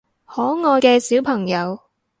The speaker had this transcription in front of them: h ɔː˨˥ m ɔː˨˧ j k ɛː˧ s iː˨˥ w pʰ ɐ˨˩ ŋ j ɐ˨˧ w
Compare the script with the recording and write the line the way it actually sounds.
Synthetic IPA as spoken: h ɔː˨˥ ŋ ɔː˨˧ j k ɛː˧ s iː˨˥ w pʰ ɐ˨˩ ŋ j ɐ˨˧ w

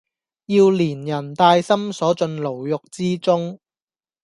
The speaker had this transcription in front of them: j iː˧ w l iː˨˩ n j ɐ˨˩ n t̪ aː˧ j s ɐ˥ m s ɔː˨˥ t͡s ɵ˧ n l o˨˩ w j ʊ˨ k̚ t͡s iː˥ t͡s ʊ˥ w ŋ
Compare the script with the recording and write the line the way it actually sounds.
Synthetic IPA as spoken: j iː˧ w l iː˨˩ n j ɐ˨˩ n t̪ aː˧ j s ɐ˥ m s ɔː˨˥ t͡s ɵ˧ n l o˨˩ w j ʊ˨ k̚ t͡s iː˥ t͡s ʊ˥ ŋ

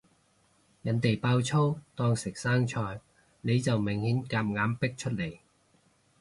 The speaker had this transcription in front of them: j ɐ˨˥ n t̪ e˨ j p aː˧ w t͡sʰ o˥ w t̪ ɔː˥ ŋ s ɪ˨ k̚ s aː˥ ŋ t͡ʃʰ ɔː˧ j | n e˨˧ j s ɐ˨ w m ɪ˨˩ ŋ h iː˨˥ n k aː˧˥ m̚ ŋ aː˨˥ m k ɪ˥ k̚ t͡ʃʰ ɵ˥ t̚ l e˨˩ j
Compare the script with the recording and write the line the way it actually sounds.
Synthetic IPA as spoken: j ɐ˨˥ n t̪ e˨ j p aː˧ w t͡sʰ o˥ w t̪ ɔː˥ ŋ s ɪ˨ k̚ s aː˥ ŋ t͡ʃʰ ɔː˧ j | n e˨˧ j t͡s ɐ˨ w m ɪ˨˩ ŋ h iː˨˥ n k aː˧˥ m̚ ŋ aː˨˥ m p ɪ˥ k̚ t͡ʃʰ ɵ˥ t̚ l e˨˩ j

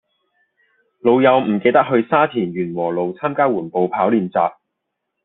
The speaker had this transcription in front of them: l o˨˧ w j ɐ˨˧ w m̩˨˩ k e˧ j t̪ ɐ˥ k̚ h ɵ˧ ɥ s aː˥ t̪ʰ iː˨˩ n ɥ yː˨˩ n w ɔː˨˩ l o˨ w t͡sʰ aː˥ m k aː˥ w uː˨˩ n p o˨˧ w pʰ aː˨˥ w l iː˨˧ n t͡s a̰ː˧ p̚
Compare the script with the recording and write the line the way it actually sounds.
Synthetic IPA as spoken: l o˨˧ w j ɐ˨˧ w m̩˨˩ k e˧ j t̪ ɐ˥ k̚ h ɵ˧ ɥ s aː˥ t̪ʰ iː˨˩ n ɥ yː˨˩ n w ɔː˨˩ l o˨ w t͡sʰ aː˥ m k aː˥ w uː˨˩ n p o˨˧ w pʰ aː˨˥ w l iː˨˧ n t͡s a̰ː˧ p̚

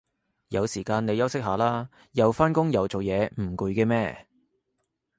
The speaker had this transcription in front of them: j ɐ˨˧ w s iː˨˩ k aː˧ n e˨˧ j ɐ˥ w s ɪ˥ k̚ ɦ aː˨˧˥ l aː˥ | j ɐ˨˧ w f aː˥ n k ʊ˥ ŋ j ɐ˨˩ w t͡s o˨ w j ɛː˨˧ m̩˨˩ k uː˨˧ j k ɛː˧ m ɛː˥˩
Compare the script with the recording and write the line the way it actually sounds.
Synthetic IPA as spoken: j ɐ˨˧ w s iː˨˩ k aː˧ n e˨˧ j ɐ˥ w s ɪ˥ k̚ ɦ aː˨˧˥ l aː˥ | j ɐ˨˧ w f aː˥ n k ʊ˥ ŋ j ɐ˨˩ w t͡s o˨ w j ɛː˨˧ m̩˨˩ k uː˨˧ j k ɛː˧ m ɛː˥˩

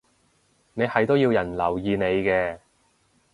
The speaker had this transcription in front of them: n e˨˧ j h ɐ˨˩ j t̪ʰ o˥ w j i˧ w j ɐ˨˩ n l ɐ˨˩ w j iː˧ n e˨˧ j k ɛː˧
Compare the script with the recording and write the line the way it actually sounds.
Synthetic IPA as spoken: n e˨˧ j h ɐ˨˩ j t̪ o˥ w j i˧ w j ɐ˨˩ n l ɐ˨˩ w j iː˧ n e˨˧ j k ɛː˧

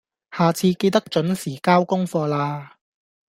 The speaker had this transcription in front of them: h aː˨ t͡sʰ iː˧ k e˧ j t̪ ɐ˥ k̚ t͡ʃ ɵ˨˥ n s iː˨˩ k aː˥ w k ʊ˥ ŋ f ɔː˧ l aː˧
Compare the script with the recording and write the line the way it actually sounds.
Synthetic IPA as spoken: h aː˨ t͡sʰ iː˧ k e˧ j t̪ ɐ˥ k̚ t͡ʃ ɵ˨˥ n s iː˨˩ k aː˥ w k ʊ˥ ŋ f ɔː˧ l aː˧

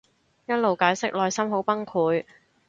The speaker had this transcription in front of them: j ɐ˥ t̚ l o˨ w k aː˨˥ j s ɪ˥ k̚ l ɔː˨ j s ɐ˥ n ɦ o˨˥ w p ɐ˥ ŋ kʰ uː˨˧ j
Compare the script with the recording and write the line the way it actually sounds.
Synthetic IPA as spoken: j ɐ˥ t̚ l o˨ w k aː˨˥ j s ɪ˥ k̚ l ɔː˨ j s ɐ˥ m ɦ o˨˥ w p ɐ˥ ŋ kʰ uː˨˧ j

